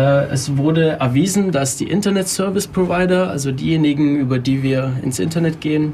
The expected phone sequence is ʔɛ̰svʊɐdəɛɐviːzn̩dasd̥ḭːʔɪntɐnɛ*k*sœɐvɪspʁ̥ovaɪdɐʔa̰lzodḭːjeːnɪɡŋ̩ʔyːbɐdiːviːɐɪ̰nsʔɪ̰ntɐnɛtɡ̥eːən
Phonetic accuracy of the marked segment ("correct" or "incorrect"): incorrect